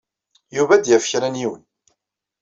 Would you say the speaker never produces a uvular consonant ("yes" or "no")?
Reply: yes